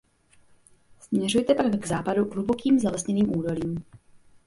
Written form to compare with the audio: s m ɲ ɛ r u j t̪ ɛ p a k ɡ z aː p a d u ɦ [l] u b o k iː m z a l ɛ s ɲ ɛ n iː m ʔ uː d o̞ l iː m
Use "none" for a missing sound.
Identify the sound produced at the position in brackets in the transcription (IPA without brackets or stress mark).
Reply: l